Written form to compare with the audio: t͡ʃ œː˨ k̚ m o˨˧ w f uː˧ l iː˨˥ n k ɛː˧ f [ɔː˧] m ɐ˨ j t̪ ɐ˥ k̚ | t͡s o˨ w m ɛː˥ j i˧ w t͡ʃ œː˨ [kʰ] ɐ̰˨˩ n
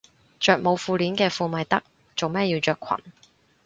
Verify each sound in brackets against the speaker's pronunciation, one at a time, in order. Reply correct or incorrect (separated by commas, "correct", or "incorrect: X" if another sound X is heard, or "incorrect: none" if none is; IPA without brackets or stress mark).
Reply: incorrect: uː˧, correct